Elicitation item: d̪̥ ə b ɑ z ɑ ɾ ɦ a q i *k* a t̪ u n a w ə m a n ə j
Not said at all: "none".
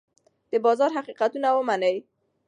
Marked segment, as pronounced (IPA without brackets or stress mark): q